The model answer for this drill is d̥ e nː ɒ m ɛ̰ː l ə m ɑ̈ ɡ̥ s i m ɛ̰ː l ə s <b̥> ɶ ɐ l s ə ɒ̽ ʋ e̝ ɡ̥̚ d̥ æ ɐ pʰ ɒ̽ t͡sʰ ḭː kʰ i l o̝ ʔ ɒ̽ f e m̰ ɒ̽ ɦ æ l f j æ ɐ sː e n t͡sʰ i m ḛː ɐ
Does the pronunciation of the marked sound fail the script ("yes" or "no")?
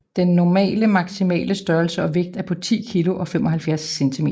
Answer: yes